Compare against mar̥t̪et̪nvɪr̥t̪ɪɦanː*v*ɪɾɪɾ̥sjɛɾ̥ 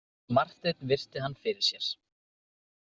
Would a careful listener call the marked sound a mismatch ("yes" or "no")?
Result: yes